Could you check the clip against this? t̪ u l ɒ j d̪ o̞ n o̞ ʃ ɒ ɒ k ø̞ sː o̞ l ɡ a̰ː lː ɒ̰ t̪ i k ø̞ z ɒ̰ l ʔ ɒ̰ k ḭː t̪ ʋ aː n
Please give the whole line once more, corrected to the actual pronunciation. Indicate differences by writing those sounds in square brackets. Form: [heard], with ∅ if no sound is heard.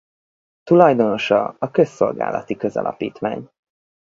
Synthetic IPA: t̪ u l ɒ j d̪ o̞ n o̞ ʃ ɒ ɒ k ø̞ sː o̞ l ɡ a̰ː [l] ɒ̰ t̪ i k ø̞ z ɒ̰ l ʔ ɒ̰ [p] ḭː t̪ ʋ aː [ɲ]